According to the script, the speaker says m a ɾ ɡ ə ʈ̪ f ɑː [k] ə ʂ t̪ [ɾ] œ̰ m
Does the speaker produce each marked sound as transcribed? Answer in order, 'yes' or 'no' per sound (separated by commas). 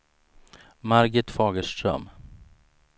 no, yes